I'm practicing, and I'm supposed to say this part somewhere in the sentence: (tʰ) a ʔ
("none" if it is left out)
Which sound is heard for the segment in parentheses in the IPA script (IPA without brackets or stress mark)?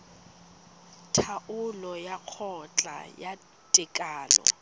tʰ